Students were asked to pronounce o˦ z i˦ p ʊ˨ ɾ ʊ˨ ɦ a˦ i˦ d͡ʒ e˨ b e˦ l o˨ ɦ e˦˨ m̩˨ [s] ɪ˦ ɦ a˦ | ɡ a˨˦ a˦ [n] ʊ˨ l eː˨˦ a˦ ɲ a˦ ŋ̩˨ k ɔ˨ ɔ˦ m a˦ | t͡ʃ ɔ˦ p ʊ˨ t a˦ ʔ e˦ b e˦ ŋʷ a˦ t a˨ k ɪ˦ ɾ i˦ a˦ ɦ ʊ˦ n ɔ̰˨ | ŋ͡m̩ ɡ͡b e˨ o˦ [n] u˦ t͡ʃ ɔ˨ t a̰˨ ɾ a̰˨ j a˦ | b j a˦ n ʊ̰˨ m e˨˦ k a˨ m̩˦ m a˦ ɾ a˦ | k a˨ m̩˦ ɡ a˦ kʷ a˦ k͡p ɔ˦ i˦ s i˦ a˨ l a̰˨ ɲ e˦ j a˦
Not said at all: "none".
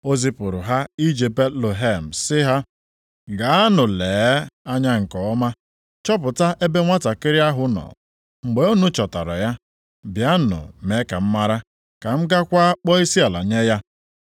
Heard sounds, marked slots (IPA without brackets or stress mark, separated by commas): s, n, n